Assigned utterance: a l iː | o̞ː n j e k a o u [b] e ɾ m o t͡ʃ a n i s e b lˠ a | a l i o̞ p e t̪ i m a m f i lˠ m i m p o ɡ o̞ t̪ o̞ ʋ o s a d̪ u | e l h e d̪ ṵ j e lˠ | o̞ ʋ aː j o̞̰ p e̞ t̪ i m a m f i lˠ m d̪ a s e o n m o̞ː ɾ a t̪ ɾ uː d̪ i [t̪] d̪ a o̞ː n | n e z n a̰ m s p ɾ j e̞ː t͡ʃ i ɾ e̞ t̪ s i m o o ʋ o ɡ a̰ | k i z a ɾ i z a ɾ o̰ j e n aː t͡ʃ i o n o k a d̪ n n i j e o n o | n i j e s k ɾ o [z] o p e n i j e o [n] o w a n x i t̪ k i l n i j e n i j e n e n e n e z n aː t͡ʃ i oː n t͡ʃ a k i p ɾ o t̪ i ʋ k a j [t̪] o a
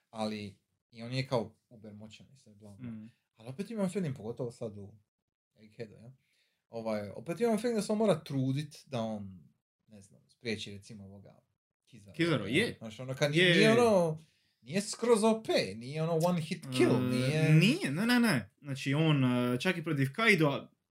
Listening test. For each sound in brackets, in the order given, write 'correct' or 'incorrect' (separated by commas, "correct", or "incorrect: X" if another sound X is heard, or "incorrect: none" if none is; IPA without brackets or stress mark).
correct, correct, correct, correct, incorrect: d̪